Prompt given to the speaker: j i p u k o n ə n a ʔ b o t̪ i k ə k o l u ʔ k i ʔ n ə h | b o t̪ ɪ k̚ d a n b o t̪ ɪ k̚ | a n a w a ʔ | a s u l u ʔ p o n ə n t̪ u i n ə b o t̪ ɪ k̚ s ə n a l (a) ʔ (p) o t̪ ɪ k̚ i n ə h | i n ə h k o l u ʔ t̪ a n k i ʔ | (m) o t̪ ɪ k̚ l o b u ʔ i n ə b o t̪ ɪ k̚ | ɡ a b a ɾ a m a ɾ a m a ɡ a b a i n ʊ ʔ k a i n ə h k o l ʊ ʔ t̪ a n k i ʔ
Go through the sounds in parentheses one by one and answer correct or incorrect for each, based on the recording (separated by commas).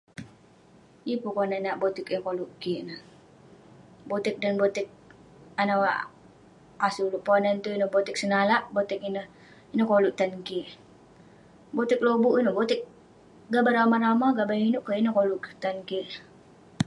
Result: correct, incorrect, incorrect